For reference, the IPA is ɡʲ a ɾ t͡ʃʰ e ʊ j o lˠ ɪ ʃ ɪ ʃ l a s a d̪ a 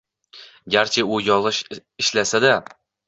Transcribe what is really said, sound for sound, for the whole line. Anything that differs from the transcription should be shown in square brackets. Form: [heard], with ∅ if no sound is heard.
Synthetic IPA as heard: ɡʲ a ɾ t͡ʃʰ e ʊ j [ɒ] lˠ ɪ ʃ ɪ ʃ l a s a d̪ a